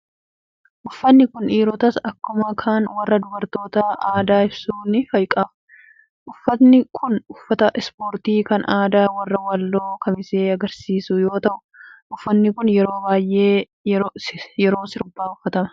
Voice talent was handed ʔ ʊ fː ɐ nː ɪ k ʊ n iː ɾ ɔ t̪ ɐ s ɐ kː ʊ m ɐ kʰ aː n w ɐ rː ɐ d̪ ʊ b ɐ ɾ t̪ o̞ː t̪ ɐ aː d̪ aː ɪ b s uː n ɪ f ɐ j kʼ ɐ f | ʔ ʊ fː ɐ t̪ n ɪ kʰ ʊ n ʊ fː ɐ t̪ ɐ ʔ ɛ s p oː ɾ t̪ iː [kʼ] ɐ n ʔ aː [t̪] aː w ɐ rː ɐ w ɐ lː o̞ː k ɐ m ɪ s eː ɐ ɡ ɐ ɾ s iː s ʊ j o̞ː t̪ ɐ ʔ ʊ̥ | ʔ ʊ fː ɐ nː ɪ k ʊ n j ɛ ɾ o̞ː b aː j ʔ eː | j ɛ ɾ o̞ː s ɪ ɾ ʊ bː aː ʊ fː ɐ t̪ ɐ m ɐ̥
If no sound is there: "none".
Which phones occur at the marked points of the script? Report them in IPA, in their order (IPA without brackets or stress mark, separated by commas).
k, d̪